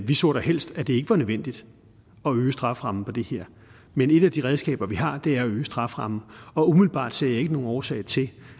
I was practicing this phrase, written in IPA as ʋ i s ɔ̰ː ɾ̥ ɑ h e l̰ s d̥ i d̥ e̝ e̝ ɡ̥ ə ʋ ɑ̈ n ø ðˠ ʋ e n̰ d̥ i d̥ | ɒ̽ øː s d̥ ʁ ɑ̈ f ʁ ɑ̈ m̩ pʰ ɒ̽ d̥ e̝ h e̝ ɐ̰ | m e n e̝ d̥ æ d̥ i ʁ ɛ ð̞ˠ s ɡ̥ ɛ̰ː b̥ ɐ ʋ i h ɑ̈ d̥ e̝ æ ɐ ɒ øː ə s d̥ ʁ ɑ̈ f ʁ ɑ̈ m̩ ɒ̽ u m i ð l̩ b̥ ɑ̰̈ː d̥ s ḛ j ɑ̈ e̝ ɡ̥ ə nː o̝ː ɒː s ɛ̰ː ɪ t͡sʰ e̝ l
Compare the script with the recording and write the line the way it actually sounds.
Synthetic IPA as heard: ʋ i s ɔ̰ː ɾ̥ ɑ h e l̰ s d̥ æ d̥ e̝ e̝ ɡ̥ ə ʋ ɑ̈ n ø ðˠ ʋ e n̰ d̥ i d̥ | ɒ̽ øː s d̥ ʁ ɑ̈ f ʁ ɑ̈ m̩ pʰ ɒ̽ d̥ e̝ h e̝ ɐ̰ | m e n e̝ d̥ æ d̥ i ʁ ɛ ð̞ˠ s ɡ̥ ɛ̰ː b̥ ɐ ʋ i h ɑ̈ d̥ e̝ æ ɐ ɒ øː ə s d̥ ʁ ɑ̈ f ʁ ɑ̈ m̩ ɒ̽ u m i ð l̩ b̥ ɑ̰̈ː d̥ s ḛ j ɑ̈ e̝ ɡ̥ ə n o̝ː ɒː s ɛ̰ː ɪ t͡sʰ e̝ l

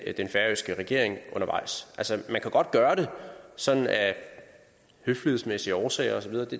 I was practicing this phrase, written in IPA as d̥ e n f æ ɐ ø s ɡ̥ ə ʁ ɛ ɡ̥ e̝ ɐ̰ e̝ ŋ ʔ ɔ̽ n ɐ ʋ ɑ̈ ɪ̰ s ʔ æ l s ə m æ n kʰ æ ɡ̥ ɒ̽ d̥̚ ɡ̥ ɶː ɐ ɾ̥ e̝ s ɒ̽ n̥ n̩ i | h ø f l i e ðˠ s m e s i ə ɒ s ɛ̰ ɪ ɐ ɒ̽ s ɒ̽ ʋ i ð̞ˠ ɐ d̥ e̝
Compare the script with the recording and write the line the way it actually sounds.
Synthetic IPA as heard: d̥ e n f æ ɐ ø s ɡ̥ ə ʁ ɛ ɡ̥ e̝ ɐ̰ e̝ ŋ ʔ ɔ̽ n ɐ ʋ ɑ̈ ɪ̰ s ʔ æ l s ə m æ n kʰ æ ɡ̥ ɒ̽ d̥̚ ɡ̥ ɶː ɐ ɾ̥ e̝ s ɒ̽ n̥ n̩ æ | h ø f l i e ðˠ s m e s i ə ɒː s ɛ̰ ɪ ɐ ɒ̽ s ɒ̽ ʋ i ð̞ˠ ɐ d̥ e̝

